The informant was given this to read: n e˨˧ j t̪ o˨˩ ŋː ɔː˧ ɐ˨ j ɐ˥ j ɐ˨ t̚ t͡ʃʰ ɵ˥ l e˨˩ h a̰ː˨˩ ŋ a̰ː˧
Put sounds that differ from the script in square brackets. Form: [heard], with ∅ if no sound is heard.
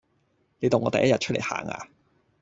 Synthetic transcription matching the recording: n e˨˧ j t̪ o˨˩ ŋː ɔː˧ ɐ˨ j ɐ˥ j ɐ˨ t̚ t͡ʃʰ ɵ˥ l e˨˩ h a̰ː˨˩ ŋ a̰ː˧